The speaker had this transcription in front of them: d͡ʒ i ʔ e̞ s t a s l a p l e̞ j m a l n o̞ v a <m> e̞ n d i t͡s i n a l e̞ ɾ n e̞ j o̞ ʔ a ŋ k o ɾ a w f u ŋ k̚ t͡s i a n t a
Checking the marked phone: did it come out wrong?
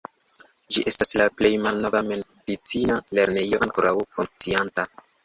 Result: no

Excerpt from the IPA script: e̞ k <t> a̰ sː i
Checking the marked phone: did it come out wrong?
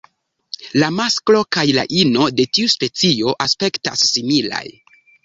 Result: no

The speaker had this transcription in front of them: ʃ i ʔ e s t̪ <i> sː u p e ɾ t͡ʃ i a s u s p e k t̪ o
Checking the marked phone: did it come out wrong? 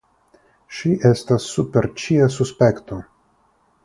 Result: yes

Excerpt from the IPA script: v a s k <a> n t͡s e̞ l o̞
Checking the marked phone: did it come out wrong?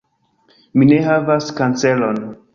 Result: no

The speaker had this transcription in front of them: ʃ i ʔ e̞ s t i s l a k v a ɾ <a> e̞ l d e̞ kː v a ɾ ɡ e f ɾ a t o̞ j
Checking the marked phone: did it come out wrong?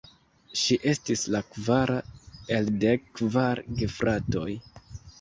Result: no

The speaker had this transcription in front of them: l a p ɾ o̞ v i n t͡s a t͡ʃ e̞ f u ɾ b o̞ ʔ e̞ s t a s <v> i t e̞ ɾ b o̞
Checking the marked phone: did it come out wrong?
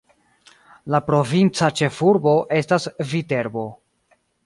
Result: no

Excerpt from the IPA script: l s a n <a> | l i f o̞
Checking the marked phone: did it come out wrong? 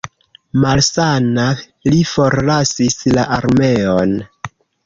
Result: no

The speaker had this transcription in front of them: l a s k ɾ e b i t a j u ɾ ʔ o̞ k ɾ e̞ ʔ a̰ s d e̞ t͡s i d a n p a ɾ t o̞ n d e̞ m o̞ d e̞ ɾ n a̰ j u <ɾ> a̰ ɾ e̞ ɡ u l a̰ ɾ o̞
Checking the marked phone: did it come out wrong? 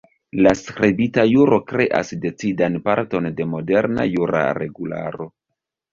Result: no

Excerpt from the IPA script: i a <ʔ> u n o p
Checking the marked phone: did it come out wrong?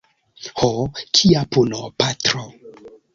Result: yes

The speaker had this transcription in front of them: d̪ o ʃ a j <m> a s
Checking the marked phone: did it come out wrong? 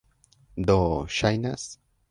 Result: yes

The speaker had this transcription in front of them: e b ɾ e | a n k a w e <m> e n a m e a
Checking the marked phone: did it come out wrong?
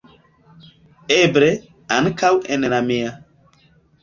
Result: yes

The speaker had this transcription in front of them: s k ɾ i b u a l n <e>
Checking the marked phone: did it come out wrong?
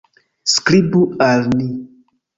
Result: yes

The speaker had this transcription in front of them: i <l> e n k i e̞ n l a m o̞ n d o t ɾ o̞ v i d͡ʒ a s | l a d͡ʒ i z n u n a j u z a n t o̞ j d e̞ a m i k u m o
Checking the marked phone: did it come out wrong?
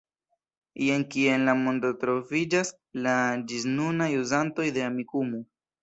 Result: yes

